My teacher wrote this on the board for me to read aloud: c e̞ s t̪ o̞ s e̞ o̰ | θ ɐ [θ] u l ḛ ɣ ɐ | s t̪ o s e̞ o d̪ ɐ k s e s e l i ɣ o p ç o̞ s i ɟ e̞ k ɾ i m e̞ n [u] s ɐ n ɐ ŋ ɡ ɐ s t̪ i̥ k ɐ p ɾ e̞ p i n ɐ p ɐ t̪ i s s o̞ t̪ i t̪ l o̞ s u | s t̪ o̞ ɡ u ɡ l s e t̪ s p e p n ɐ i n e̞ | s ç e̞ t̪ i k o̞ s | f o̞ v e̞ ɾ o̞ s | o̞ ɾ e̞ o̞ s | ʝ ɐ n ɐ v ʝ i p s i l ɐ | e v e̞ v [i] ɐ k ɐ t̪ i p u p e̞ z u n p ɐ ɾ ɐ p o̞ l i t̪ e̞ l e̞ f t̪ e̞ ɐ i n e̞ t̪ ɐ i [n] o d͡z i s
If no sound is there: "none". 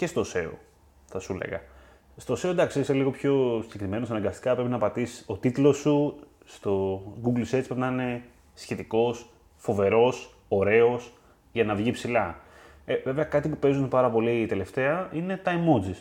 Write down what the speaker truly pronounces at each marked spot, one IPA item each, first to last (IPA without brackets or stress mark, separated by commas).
s, o, e, m